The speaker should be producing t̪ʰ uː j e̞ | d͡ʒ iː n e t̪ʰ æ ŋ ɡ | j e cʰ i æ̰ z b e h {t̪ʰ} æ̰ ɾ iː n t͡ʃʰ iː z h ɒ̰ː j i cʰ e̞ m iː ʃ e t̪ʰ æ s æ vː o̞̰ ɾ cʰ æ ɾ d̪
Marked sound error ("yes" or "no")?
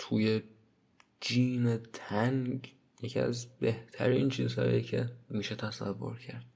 no